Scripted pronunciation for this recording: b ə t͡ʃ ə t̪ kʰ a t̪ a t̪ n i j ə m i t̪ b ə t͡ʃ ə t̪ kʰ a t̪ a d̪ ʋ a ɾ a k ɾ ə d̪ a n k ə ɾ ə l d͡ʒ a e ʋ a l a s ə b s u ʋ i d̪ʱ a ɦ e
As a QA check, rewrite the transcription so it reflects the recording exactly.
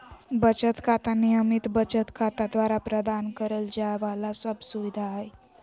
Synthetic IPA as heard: b ə t͡ʃ ə t̪ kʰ a t̪ a n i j ə m i t̪ b ə t͡ʃ ə t̪ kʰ a t̪ a d̪ ʋ a ɾ a p ɾ ə d̪ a n k ə ɾ ə l d͡ʒ a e ʋ a l a s ə b s u ʋ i d̪ʱ a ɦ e